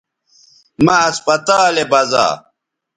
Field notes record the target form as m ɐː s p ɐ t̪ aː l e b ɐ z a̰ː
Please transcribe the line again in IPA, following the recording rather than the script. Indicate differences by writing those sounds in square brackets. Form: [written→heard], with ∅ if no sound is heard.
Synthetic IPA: m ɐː s p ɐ t̪ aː l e b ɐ z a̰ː